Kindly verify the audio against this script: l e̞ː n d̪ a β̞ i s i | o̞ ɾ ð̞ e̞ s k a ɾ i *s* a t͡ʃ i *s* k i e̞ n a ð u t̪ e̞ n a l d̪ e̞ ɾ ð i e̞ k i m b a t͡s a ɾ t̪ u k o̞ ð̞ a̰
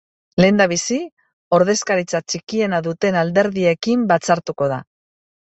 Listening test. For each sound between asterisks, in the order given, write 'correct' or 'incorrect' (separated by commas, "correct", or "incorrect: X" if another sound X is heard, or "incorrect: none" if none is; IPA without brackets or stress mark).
incorrect: t͡s, incorrect: none